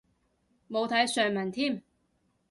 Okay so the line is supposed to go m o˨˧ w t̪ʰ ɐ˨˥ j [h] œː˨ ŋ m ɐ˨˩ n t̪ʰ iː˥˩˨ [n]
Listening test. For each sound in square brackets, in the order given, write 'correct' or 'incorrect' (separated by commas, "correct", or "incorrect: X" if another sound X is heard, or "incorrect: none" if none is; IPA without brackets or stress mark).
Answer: incorrect: s, incorrect: m